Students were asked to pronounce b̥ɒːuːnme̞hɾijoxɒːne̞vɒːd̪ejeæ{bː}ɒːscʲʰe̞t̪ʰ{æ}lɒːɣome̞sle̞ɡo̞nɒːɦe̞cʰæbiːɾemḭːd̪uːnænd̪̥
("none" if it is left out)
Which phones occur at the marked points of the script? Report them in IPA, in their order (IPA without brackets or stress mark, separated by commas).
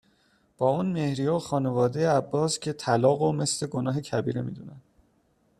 bː, æ